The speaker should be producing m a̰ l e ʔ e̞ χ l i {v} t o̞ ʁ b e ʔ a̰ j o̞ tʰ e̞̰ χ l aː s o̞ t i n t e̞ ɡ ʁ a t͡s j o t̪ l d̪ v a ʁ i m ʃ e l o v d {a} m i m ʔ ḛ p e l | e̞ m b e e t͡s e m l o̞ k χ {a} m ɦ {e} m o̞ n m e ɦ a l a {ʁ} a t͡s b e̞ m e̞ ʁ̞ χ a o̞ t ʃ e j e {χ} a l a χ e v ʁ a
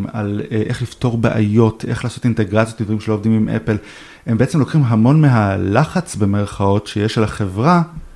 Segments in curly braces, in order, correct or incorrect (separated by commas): incorrect, incorrect, incorrect, incorrect, incorrect, incorrect